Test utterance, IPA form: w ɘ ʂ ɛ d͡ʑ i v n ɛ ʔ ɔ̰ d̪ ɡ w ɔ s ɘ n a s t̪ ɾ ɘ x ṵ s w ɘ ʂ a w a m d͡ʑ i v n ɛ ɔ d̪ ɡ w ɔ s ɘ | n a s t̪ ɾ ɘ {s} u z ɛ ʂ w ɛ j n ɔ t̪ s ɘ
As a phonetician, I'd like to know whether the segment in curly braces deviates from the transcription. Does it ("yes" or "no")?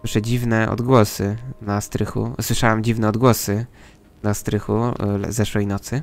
yes